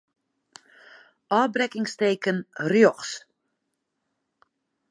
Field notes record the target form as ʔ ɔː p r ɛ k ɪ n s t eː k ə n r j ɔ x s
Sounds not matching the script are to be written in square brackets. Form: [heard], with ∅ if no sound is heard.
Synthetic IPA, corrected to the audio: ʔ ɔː [b] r ɛ k ɪ [ŋ] s t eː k ə n r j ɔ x s